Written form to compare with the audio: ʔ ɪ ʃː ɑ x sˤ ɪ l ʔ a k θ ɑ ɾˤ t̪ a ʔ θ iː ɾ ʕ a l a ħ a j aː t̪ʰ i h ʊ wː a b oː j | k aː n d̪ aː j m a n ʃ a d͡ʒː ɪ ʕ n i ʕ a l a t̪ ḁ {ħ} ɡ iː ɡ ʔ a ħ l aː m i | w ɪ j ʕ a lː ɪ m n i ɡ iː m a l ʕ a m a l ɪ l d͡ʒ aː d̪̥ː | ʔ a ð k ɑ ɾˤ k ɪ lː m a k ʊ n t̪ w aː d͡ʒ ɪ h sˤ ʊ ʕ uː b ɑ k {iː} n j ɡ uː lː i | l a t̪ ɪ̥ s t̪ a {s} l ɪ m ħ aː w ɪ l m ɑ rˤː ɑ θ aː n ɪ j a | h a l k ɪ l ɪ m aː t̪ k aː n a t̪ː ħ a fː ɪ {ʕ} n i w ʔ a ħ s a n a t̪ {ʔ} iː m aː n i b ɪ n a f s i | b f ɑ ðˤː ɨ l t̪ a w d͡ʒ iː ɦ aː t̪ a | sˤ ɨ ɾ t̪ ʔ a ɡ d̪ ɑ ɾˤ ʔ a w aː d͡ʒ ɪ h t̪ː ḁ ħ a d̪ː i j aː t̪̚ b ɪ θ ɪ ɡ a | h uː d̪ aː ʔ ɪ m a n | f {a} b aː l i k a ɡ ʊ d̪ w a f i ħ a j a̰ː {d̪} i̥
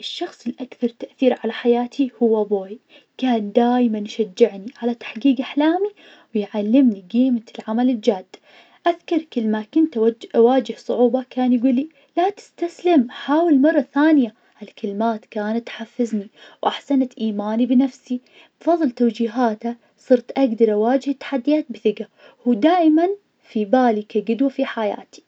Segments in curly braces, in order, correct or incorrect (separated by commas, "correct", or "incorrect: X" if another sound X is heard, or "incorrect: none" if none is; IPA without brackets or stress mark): correct, incorrect: aː, correct, incorrect: z, correct, incorrect: i, incorrect: t̪